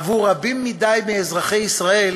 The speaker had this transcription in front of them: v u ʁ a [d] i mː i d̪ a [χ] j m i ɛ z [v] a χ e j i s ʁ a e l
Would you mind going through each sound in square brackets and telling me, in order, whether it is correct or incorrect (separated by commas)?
incorrect, incorrect, incorrect